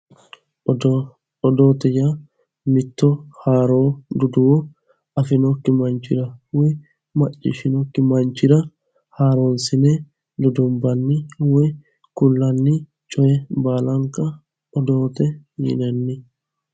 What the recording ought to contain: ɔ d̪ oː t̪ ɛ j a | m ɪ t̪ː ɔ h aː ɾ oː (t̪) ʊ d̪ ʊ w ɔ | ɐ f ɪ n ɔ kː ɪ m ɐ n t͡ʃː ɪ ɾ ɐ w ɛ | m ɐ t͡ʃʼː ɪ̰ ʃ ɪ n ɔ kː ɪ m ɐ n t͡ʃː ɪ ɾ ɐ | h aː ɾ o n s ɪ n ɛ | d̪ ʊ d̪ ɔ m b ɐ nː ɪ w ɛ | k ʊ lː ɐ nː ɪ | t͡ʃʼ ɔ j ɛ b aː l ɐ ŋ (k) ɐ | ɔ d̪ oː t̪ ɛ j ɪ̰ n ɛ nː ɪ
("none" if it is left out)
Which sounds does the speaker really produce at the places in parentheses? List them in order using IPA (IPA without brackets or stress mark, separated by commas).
d̪, k